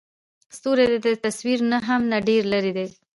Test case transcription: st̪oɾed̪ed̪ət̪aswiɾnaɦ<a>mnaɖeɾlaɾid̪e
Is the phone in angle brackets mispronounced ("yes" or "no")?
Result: no